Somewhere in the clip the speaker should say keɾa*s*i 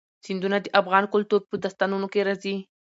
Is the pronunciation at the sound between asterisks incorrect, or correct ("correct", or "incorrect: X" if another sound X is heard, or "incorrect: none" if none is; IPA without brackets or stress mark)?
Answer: incorrect: z